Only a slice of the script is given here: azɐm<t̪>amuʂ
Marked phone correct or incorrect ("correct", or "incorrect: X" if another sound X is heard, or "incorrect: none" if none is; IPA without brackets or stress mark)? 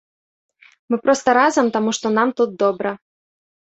correct